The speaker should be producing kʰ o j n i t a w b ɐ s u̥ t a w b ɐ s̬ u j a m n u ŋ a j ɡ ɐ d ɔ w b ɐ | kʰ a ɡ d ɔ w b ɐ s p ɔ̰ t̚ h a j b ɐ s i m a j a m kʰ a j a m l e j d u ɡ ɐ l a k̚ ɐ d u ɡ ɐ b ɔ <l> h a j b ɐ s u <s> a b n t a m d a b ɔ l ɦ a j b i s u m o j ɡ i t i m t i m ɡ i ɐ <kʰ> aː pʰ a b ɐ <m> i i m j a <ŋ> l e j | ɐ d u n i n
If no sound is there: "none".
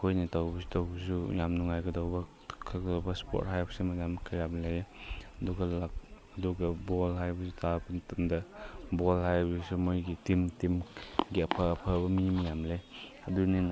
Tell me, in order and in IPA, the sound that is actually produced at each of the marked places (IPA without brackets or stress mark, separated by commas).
l, t, pʰ, m, m